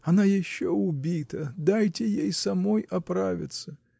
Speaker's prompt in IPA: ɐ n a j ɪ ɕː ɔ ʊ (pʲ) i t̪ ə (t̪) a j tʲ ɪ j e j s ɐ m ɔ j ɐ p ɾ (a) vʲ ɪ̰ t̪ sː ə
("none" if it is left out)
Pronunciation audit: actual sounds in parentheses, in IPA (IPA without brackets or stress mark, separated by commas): bʲ, d̪, a